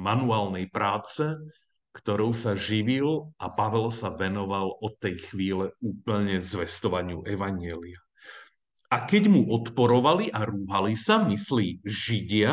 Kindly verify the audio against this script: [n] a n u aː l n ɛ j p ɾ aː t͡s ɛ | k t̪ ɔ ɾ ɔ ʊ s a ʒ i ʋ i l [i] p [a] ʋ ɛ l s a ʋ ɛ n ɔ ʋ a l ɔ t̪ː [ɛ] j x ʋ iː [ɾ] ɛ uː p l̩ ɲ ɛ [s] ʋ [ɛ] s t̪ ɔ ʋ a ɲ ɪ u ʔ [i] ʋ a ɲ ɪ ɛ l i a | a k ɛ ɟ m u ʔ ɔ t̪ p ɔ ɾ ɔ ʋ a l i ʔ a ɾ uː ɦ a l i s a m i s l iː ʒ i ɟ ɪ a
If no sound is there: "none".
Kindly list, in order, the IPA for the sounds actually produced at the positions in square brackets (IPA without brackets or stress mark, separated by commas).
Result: m, a, a, ɛ, l, z, ɛ, ɛ